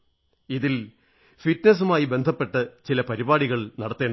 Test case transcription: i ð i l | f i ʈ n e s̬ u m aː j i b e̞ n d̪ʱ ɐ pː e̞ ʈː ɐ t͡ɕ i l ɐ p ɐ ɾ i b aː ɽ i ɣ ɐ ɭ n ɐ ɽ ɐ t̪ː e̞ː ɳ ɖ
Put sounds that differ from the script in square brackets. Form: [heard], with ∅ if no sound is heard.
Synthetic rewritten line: i ð i l | f i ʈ n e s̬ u m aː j i b e̞ n d̪ʱ ɐ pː e̞ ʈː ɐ t͡ɕ i l ɐ p ɐ ɾ i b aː ɽ i ɣ ɐ ɭ n ɐ ɽ ɐ t̪ː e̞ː ɳ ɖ

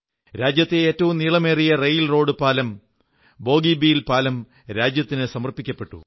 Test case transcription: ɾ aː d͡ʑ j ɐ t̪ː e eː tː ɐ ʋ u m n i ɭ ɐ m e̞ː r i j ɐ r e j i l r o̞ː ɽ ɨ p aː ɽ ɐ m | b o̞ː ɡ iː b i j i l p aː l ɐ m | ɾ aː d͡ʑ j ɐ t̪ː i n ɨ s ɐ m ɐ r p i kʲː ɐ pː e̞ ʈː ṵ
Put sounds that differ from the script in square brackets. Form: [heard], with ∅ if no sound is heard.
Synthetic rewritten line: ɾ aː d͡ʑ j ɐ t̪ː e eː tː ɐ ʋ u m n [iː] ɭ ɐ m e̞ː r i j ɐ r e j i l r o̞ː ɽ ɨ p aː [l] ɐ m | b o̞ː ɡ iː b i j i l p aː l ɐ m | ɾ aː d͡ʑ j ɐ t̪ː i n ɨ s ɐ m ɐ r p i kʲː ɐ pː e̞ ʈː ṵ

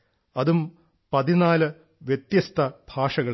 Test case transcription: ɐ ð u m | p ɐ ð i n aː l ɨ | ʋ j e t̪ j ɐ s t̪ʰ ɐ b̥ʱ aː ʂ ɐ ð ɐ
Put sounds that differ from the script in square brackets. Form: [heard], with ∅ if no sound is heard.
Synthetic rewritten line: ɐ ð u m | p ɐ ð i n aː l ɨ | ʋ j e t̪ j ɐ s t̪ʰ ɐ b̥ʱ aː ʂ ɐ [ɣ] ɐ

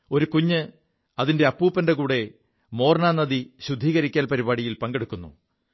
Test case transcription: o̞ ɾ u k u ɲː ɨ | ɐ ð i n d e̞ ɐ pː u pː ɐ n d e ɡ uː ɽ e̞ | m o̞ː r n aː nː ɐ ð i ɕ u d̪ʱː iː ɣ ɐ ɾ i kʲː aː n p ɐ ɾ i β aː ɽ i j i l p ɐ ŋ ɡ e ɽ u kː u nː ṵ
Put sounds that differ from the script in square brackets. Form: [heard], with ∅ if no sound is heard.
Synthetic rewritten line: o̞ ɾ u k u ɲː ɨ | ɐ ð i n d e̞ ɐ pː [uː] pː ɐ n d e [k] uː ɽ e̞ | m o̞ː r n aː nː ɐ ð i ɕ u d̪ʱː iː ɣ ɐ ɾ i kʲː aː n p ɐ ɾ i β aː ɽ i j i l p ɐ ŋ ɡ e ɽ u kː u nː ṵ

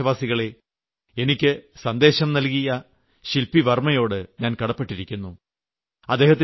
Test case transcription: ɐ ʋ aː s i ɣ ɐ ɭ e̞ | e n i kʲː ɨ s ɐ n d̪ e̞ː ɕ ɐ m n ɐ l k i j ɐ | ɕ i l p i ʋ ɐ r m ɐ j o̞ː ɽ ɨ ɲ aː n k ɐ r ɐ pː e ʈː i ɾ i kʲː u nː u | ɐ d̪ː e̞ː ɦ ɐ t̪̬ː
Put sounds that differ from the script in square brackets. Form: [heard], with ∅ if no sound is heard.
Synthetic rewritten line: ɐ ʋ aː s i ɣ ɐ ɭ e̞ | e n i kʲː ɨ s ɐ n d̪ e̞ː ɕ ɐ m n ɐ l k i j ɐ | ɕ i l p i ʋ ɐ r m ɐ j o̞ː ɽ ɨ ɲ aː n k ɐ [ɽ] ɐ pː e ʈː i ɾ i kʲː u nː u | ɐ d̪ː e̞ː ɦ ɐ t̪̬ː

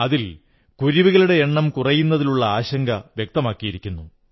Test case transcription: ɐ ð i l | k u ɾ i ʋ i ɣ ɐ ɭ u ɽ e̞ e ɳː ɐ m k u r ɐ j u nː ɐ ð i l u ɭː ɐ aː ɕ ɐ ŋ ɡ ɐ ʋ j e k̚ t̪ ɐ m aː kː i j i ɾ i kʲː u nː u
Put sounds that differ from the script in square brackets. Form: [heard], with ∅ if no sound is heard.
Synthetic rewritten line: ɐ ð i l | k u ɾ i ʋ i ɣ ɐ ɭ u ɽ e̞ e ɳː ɐ m k u r ɐ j u nː ɐ ð i l u ɭː ɐ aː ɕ ɐ ŋ ɡ ɐ ʋ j e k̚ t̪ ɐ m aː kː i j i ɾ i kʲː u nː u

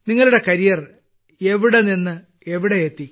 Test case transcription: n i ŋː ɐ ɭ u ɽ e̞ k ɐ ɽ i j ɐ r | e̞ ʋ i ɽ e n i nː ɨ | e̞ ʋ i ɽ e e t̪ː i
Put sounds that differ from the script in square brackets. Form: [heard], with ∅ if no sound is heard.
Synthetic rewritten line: n i ŋː ɐ ɭ u ɽ e̞ k ɐ [ɾ] i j ɐ r | e̞ ʋ i ɽ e n i nː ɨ | e̞ ʋ i ɽ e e t̪ː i

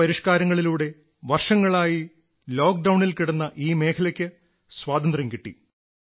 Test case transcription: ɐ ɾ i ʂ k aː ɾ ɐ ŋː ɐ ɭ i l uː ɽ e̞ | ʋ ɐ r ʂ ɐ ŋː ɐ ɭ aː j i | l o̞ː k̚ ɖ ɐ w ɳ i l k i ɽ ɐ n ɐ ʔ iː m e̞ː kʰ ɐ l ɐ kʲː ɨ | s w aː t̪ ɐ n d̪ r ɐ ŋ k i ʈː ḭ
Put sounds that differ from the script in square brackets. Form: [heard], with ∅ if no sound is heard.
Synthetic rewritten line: ɐ ɾ i ʂ k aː ɾ ɐ ŋː ɐ ɭ i l uː ɽ e̞ | ʋ ɐ r ʂ ɐ ŋː ɐ ɭ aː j i | l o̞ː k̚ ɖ ɐ w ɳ i l k i ɽ ɐ [nː] ɐ ʔ iː m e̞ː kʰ ɐ l ɐ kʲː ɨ | s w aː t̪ ɐ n d̪ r ɐ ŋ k i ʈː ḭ

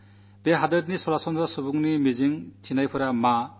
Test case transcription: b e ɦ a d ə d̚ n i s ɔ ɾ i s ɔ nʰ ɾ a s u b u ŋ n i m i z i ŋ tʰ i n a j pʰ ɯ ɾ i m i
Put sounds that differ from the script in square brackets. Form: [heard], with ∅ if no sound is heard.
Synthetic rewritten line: b e ɦ a d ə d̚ n i s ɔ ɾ [a] s ɔ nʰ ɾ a s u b u ŋ n i m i z i ŋ tʰ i n a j pʰ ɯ ɾ [a] m [a]

